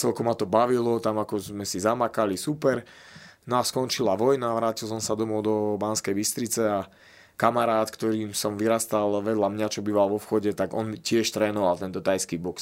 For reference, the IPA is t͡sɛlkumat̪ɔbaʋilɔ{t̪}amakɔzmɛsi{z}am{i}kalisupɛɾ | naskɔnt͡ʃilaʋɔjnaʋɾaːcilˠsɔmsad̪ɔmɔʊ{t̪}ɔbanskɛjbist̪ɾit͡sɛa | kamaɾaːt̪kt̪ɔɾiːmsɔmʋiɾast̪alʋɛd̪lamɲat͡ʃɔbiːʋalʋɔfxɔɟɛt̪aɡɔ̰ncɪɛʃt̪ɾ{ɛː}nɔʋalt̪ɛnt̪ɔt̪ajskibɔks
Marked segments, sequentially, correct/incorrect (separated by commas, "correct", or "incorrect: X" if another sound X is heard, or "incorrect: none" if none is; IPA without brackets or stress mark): correct, correct, incorrect: a, incorrect: d̪, correct